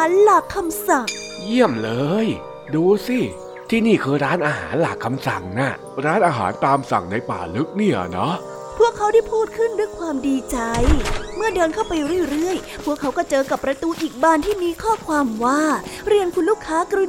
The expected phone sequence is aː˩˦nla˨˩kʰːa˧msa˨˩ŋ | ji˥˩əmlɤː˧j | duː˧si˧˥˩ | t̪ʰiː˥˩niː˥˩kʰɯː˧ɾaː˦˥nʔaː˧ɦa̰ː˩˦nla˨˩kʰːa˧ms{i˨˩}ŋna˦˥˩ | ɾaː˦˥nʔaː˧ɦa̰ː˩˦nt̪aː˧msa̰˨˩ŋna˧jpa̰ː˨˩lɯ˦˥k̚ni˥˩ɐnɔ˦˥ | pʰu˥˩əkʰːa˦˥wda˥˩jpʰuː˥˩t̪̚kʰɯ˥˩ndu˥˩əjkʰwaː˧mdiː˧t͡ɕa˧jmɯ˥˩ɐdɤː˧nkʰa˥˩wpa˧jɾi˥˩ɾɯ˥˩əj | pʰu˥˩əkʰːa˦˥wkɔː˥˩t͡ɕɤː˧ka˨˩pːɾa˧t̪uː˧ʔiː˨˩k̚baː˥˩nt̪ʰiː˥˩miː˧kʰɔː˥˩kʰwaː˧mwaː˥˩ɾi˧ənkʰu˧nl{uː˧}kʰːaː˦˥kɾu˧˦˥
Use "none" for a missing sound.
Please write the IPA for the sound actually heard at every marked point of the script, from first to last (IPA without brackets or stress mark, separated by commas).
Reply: a˨˩, uː˥˩